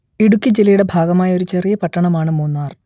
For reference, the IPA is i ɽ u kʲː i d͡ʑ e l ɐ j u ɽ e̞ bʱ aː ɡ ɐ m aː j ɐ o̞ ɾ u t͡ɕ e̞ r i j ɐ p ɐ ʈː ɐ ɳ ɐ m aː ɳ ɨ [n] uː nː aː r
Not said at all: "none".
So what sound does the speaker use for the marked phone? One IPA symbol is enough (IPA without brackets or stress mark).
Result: m